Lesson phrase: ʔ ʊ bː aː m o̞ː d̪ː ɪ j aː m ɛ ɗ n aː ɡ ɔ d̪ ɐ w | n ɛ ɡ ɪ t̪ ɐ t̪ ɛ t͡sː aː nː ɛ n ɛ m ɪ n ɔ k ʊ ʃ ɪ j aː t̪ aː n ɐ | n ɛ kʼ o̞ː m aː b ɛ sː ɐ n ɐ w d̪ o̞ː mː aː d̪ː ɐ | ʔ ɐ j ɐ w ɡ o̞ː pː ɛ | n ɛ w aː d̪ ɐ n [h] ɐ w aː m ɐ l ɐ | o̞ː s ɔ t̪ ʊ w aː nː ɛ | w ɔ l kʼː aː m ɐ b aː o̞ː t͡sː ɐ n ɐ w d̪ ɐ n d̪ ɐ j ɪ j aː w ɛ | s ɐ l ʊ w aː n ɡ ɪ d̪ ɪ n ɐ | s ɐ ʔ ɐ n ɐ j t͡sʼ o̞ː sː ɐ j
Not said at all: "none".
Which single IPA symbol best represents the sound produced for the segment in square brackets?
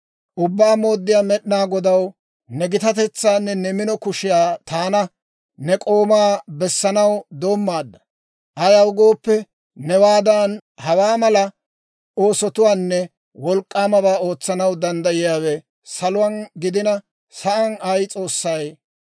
h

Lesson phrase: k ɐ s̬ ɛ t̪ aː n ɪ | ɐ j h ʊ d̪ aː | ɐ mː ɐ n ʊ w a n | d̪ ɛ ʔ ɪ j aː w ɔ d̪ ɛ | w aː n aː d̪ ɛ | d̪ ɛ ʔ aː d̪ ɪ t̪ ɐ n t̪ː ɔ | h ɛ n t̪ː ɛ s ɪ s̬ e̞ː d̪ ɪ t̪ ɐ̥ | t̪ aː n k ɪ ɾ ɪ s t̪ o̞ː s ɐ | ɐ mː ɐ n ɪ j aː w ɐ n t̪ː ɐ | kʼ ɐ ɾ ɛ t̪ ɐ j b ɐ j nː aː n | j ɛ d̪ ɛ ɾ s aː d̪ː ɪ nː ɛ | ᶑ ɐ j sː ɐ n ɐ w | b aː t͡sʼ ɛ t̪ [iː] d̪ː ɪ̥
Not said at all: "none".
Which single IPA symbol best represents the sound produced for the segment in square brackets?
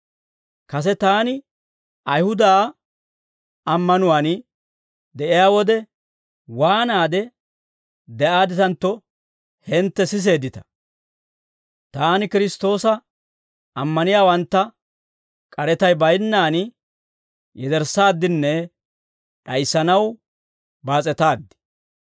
aː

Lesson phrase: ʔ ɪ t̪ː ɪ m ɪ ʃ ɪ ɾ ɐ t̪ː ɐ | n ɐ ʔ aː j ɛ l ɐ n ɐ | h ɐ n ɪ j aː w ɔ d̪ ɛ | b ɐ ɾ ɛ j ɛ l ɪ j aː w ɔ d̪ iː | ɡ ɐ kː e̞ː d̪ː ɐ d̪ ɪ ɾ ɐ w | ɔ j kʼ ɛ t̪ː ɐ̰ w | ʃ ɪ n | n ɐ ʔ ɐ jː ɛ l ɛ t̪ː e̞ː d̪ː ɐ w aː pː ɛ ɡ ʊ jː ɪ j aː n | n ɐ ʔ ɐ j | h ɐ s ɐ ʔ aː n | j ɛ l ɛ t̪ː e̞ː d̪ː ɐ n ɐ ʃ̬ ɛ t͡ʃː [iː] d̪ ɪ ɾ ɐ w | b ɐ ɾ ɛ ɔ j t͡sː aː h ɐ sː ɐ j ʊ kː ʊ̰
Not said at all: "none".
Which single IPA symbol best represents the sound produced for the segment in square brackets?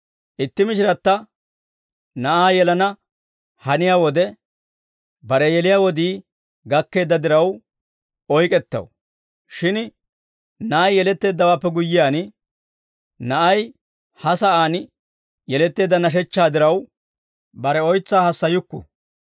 aː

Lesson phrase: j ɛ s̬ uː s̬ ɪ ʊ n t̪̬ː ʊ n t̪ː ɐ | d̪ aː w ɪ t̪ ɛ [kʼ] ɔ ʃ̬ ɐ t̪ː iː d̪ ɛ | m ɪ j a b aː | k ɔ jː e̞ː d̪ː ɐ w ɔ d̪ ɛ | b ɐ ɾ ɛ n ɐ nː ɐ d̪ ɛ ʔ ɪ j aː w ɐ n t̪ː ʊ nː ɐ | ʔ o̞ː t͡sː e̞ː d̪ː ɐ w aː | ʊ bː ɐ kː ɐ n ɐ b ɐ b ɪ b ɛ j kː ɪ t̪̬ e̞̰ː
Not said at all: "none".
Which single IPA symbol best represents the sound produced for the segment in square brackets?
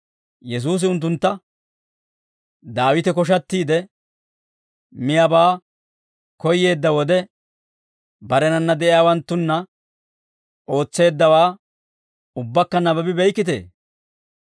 k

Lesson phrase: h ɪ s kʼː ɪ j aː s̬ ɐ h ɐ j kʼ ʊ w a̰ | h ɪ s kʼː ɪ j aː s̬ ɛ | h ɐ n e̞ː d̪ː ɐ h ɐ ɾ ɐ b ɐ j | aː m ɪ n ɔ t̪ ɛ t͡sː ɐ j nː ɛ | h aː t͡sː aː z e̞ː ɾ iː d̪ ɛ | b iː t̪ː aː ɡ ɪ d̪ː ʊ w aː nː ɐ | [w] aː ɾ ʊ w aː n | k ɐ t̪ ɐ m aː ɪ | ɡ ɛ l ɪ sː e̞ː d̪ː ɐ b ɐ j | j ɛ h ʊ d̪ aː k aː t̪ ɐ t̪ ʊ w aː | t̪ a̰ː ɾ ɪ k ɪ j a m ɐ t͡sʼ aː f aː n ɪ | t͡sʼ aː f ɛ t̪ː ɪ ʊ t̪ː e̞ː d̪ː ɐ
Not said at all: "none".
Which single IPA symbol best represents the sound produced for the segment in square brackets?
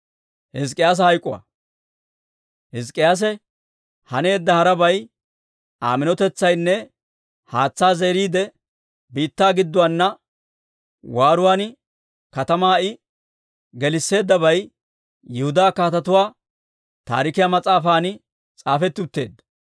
w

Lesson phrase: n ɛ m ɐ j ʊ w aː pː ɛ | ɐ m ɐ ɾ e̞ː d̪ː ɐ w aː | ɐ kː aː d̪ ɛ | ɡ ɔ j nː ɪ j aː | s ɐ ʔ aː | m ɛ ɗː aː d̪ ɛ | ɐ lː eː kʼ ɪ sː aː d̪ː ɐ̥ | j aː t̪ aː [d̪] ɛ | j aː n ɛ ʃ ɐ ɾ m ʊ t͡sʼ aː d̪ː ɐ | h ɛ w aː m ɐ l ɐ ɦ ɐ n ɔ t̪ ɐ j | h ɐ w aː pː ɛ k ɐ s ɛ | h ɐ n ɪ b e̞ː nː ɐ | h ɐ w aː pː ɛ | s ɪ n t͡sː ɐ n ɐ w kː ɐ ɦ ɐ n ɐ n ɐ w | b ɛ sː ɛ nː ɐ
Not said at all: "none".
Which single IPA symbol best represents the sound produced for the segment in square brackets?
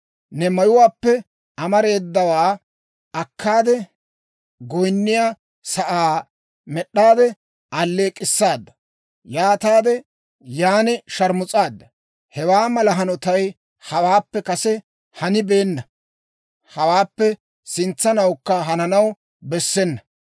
d̪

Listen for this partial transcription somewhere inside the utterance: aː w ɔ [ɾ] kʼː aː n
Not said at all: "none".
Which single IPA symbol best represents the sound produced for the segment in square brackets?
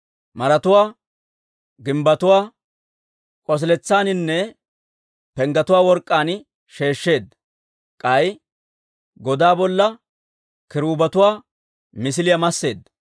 ɾ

